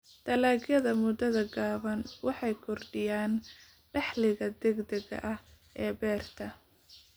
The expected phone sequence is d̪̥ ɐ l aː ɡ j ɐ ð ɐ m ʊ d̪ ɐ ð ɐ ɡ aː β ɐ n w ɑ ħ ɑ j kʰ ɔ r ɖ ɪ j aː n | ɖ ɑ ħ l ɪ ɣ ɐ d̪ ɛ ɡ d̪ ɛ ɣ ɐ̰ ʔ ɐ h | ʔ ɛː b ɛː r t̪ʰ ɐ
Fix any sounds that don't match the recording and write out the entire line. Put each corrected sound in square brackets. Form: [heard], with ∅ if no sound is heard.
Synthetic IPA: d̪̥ ɐ l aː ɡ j ɐ ð ɐ m ʊ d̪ ɐ ð ɐ ɡ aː β ɐ n w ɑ ħ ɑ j kʰ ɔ r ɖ ɪ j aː n | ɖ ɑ ħ l ɪ ɣ ɐ d̪ ɛ ɡ d̪ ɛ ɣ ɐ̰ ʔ ɐ h | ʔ ɛː b ɛː r t̪ʰ ɐ